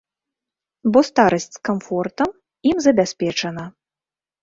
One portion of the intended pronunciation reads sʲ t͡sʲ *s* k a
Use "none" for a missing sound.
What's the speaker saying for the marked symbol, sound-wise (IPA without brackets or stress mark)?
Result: s